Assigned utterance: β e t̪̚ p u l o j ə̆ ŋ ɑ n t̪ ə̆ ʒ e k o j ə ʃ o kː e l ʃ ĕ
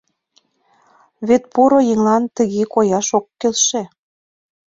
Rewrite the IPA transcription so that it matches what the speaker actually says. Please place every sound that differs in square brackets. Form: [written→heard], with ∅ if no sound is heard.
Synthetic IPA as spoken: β e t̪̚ p u [l→ɾ] o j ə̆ ŋ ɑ n t̪ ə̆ [ʒ→ɣ] e k o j [ə→ɑ] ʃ o kː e l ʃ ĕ